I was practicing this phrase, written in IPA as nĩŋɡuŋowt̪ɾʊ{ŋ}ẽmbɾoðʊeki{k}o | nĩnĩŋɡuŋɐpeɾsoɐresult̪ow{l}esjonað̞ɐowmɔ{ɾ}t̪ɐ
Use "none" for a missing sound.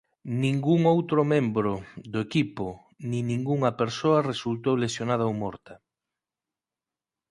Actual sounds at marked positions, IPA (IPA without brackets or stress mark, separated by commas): m, p, l, ɾ